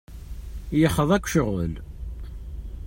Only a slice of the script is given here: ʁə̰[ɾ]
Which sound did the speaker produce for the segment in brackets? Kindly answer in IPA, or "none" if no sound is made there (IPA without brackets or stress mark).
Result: l